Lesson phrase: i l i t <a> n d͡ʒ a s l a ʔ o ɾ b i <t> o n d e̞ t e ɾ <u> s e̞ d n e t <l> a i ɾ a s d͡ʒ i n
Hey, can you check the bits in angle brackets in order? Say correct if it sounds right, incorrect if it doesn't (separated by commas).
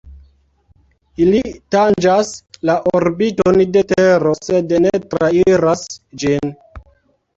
correct, correct, incorrect, incorrect